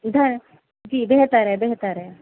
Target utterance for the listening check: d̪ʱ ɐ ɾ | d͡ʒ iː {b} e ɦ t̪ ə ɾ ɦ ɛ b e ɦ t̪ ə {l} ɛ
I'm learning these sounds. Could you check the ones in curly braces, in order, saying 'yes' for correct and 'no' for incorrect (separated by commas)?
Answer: yes, no